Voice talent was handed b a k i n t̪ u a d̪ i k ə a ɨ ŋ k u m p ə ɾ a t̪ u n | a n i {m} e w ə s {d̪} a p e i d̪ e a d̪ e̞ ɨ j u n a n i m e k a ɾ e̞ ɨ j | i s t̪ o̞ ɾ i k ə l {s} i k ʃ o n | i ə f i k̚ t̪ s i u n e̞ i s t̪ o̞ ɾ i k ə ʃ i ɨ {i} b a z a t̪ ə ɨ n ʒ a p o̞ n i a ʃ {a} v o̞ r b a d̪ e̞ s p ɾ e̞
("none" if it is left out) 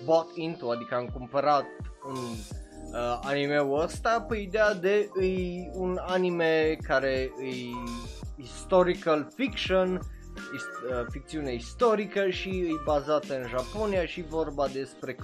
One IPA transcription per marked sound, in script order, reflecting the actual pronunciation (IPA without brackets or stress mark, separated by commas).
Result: m, t̪, f, j, i